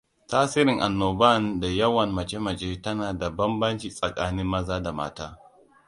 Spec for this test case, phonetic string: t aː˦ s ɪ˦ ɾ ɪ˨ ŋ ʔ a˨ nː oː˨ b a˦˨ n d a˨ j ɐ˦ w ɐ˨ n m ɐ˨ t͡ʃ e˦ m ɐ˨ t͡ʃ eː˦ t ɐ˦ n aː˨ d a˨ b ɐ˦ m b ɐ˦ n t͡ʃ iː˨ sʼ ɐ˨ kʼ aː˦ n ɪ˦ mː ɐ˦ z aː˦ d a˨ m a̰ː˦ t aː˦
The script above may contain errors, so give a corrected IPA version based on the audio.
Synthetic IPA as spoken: t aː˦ s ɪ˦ ɾ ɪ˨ ŋ ʔ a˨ nː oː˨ b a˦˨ n d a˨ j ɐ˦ w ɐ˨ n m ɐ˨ t͡ʃ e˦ m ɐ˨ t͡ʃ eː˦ t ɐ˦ n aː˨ d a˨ b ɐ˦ m b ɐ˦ n t͡ʃ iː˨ sʼ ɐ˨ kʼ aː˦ n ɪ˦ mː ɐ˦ z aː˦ d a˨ m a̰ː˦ t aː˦